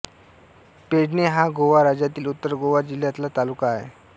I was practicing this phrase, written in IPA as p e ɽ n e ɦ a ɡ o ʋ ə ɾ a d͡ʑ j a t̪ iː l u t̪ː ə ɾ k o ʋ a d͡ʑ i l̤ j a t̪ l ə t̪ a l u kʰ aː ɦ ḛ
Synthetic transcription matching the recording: p e ɽ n e ɦ a ɡ o ʋ a ɾ a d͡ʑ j a t̪ iː l u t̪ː ə ɾ ɡ o ʋ a d͡ʑ i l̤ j a t̪ l a t̪ a l u k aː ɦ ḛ